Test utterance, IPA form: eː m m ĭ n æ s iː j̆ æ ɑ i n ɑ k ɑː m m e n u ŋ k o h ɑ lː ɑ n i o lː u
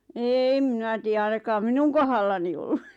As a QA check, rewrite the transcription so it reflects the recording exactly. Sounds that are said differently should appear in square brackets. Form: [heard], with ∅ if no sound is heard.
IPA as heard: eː m m ĭ n æ [t] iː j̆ æ ɑ i n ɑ k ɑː m m [i] n u ŋ k o h ɑ lː ɑ n i o lː u